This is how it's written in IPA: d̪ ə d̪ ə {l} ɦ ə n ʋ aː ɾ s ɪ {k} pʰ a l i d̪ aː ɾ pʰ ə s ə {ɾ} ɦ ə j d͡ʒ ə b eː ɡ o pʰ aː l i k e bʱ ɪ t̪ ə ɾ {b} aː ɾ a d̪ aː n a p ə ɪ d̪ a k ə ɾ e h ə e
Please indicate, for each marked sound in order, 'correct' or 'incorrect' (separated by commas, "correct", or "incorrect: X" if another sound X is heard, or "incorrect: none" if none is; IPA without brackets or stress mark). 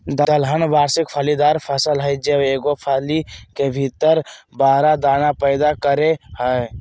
correct, correct, incorrect: l, correct